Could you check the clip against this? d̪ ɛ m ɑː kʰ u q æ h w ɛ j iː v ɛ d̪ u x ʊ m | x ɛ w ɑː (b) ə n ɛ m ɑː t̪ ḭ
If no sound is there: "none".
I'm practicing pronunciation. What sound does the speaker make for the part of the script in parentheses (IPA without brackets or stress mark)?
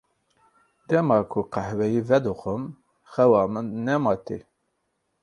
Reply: m